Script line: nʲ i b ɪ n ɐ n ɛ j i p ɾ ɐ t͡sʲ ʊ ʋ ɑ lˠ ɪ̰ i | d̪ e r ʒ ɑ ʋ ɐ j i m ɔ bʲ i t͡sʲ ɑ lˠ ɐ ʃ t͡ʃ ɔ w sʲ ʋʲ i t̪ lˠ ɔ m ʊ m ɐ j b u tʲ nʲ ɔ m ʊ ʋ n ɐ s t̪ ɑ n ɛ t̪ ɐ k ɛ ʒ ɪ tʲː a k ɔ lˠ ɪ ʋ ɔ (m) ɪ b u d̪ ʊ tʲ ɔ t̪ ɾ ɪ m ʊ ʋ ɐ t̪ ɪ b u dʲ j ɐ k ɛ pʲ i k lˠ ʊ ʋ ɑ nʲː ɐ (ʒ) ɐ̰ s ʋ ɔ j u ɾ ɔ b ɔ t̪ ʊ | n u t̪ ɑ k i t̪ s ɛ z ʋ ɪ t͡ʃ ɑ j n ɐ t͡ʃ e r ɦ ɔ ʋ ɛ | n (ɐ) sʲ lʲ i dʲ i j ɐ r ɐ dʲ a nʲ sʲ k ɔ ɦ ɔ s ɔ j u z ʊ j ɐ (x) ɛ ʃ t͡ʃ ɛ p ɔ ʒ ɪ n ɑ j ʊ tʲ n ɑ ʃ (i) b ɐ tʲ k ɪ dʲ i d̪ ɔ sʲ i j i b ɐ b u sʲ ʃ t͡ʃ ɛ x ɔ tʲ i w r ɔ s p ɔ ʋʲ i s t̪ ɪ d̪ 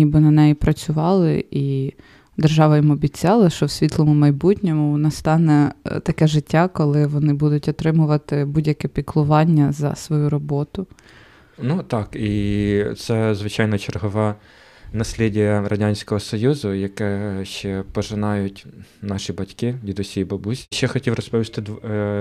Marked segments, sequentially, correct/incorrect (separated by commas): incorrect, incorrect, correct, incorrect, correct